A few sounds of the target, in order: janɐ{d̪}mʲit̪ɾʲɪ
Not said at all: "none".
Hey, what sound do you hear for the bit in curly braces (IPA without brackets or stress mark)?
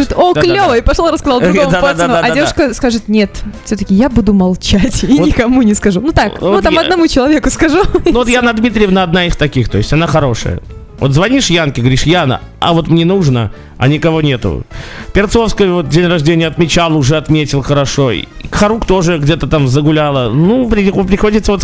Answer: d̪